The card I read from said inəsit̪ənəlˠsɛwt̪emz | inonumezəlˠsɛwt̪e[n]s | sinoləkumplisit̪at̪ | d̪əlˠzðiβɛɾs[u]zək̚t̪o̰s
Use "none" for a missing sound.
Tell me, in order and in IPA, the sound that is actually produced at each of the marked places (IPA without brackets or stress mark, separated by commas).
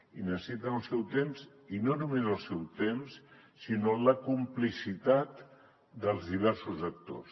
m, u